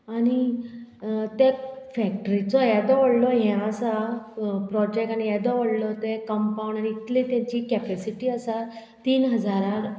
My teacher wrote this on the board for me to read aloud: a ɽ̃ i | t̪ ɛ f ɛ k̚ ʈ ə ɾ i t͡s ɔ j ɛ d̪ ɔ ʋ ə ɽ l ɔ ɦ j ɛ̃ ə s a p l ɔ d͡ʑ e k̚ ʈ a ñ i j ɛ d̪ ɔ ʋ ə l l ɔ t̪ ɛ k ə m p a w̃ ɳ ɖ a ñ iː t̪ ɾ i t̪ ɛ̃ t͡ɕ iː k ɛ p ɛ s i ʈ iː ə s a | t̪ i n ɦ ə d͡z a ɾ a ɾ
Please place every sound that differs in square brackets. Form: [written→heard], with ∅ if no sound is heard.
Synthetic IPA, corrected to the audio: a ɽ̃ i | t̪ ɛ f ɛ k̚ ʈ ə ɾ i t͡s ɔ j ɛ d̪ ɔ ʋ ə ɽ l ɔ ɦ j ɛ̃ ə s a p [l→ɾ] ɔ d͡ʑ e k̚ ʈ a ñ i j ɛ d̪ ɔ ʋ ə [l→ɽ] l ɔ t̪ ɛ k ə m p a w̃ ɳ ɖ a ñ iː t̪ [ɾ→l] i t̪ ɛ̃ t͡ɕ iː k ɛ p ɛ s i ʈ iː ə s a | t̪ [i→iː] n ɦ ə d͡z a ɾ a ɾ

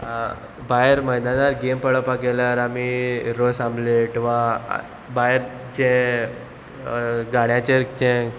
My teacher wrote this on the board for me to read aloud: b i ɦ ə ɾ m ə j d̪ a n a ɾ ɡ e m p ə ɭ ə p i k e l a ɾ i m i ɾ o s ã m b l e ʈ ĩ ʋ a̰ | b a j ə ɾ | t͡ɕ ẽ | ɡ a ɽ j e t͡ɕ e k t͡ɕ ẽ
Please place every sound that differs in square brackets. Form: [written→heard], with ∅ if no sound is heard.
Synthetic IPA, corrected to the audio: b [i→a] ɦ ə ɾ m ə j d̪ a n a ɾ ɡ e m p ə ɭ ə p [i→a] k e l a ɾ [i→a] m i ɾ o s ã m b l e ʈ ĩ ʋ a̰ | b a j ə ɾ | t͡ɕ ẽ | ɡ a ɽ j [e→a] t͡ɕ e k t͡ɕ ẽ

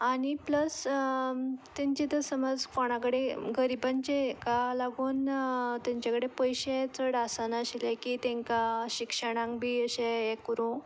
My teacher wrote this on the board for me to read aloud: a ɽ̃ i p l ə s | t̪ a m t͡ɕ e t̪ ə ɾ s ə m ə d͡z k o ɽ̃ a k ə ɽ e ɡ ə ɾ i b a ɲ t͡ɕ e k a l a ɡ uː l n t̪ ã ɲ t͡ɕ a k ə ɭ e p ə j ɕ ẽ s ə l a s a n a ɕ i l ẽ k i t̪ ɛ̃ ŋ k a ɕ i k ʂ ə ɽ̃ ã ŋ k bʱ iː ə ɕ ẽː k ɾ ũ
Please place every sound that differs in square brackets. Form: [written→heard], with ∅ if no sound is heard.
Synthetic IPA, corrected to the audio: a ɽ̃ i p l ə s | t̪ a [m→ɲ] t͡ɕ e t̪ ə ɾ s ə m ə d͡z k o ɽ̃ a k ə ɽ e ɡ ə ɾ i b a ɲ t͡ɕ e k a l a ɡ uː [l→∅] n t̪ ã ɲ t͡ɕ a k ə [ɭ→ɽ] e p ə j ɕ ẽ [s→t͡s] ə [l→ɽ] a s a n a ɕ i l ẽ k i t̪ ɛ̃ ŋ k a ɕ i k ʂ ə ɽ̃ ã ŋ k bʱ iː ə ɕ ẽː k ɾ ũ

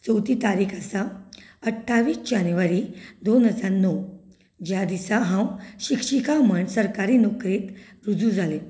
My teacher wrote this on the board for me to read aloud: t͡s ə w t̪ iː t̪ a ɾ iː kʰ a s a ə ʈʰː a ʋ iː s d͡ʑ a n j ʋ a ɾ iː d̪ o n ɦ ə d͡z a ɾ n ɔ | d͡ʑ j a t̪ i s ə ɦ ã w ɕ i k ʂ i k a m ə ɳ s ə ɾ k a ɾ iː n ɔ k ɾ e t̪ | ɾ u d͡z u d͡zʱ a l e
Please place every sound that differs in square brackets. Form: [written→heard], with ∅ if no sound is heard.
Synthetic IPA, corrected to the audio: t͡s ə w t̪ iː t̪ a ɾ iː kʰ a s a ə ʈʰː a ʋ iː s d͡ʑ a n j ʋ a ɾ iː d̪ o n ɦ ə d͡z a ɾ n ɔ | d͡ʑ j a [t̪→d̪] i s [ə→a] ɦ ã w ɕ i k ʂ i k a m ə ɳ s ə ɾ k a ɾ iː n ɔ k ɾ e t̪ | ɾ u d͡z u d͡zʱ a l e

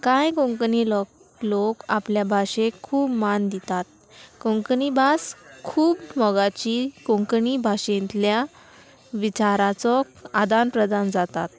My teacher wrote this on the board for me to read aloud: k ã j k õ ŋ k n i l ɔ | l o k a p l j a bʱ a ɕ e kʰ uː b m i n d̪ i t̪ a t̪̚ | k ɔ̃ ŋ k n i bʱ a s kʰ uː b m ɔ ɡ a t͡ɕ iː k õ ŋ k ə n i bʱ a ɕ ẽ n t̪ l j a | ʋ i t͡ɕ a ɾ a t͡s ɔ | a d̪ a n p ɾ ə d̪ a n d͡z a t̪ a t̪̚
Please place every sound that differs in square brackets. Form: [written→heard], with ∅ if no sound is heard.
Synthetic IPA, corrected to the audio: k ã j k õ ŋ k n i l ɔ | l o k a p l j a bʱ a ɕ e kʰ uː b m [i→a] n d̪ i t̪ a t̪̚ | k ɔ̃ ŋ k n i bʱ a s kʰ uː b m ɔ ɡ a t͡ɕ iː k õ ŋ k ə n i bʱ a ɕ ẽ n t̪ l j a | ʋ i t͡ɕ a ɾ a t͡s ɔ | a d̪ a n p ɾ ə d̪ a n d͡z a t̪ a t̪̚

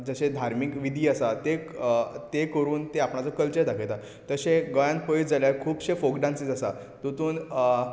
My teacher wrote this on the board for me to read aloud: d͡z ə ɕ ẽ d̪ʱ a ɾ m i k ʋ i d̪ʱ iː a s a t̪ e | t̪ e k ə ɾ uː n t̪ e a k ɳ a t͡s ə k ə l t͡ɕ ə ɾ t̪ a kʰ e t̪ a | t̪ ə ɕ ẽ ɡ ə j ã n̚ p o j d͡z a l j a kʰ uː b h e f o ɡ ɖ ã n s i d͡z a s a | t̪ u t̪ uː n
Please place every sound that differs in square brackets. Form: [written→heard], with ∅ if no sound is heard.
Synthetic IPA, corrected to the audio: d͡z ə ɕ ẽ d̪ʱ a ɾ m i k ʋ i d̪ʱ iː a s a t̪ e | t̪ e k ə ɾ uː n t̪ e a [k→p] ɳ a t͡s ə k ə l t͡ɕ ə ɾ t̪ a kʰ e t̪ a | t̪ ə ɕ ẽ ɡ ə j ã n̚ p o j d͡z a l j a kʰ uː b [h→ɕ] e f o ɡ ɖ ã n s i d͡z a s a | t̪ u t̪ uː n

